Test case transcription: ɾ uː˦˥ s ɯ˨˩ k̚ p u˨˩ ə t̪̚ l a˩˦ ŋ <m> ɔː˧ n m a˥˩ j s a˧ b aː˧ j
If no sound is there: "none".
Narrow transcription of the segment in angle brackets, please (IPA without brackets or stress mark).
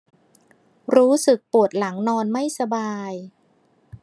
n